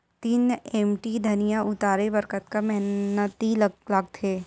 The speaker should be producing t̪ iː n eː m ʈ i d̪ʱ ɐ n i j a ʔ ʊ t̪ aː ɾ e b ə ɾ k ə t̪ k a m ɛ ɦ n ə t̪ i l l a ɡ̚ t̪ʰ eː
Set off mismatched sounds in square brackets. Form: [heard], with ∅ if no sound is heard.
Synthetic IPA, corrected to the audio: t̪ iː n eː m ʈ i d̪ʱ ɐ n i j a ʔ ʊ t̪ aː ɾ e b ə ɾ k ə t̪ k a m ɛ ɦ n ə t̪ i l l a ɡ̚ t̪ʰ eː